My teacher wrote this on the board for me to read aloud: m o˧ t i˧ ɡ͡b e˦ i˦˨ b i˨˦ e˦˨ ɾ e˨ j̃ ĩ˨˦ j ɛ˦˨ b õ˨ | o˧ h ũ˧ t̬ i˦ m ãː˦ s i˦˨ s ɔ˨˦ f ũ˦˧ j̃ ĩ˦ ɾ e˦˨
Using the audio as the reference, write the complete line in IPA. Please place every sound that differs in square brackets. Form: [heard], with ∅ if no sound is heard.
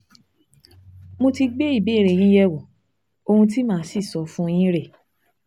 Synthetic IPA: m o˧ t i˧ ɡ͡b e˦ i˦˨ b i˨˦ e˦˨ ɾ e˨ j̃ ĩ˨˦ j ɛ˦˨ [w] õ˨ | o˧ h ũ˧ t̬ i˦ m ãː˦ s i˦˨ s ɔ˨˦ f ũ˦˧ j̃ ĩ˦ ɾ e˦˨